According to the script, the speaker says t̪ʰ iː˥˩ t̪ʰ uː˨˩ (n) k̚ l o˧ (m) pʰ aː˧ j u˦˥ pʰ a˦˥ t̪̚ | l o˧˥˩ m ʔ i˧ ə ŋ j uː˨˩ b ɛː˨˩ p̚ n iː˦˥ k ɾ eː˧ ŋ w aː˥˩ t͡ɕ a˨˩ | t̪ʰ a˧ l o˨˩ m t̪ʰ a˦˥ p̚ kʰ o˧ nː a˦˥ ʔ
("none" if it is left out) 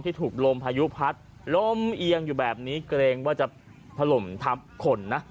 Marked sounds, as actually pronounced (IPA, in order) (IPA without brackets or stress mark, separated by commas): none, m